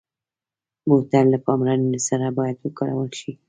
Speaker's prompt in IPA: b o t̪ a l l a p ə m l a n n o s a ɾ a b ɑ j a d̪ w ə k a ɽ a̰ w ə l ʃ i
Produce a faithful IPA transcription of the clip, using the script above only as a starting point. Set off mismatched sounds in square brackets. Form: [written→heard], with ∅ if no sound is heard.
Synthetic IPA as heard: [b→m] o t̪ a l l a p [ə→ɑ] m [l→ɾ] a n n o s a ɾ a b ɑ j a d̪ w ə k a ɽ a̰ w ə l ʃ i

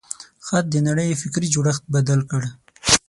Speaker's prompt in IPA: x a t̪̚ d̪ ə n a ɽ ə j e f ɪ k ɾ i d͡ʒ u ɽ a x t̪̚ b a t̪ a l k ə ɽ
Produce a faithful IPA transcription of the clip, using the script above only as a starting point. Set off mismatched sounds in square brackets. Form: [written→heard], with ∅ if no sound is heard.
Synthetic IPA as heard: x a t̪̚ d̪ ə n a ɽ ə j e f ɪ k ɾ i d͡ʒ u ɽ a x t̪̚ b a [t̪→d̪] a l k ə ɽ

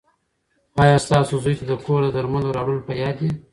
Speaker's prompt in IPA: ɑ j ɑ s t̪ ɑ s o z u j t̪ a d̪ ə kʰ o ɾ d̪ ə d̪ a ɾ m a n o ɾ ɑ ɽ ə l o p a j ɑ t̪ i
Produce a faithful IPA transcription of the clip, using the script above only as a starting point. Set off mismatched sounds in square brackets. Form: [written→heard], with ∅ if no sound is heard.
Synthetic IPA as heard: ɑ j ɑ s t̪ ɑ s o z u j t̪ a d̪ ə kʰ o ɾ d̪ ə d̪ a ɾ m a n o ɾ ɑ ɽ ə l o p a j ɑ [t̪→d̪] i

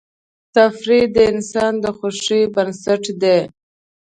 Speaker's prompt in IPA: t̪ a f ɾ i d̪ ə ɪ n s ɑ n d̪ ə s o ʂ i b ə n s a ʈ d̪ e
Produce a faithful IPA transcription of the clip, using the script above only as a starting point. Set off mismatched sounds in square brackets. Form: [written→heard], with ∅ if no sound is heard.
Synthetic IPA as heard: t̪ a f ɾ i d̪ ə ɪ n s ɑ n d̪ ə [s→x] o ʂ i b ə n s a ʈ d̪ e

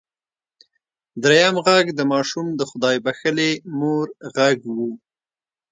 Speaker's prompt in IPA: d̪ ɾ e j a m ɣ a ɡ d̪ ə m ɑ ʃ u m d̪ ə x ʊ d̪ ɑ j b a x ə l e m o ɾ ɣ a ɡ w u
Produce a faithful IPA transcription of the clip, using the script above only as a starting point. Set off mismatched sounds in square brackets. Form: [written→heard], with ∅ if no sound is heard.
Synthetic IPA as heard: d̪ ɾ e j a m ɣ a ɡ d̪ ə m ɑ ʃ u m d̪ ə x ʊ d̪ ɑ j b a x ə l e m o ɾ ɣ a ɡ w u

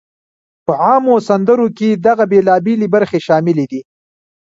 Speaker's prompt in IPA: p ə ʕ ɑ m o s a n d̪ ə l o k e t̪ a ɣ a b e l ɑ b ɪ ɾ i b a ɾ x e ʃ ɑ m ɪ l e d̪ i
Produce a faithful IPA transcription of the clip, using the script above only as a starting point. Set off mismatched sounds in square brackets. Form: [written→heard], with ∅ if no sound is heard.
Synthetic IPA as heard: p ə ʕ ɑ m o s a n d̪ ə [l→ɾ] o k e [t̪→d̪] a ɣ a b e l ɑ b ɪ [ɾ→l] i b a ɾ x e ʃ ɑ m ɪ l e d̪ i

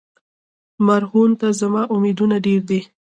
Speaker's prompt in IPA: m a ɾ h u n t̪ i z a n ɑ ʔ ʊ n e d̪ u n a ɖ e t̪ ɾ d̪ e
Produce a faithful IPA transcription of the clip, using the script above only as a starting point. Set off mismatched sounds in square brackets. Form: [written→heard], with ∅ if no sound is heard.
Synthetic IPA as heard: m a ɾ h u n t̪ [i→a] z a [n→m] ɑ ʔ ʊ [n→m] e d̪ u n a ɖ e [t̪→∅] ɾ d̪ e

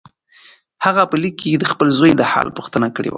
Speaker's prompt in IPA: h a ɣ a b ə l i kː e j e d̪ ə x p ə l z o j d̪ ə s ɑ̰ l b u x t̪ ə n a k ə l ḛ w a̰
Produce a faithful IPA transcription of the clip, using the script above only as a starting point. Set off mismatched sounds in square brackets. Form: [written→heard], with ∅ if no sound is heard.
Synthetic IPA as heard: h a ɣ a [b→p] ə l i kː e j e d̪ ə x p ə l z o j d̪ ə [s→h] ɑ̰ l [b→p] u x t̪ ə n a k ə [l→ɽ] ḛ w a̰

